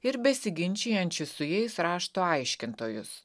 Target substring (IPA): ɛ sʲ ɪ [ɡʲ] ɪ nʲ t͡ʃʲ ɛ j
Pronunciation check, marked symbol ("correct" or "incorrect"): correct